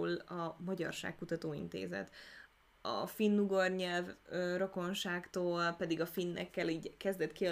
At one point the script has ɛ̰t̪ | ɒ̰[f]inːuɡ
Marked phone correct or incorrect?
correct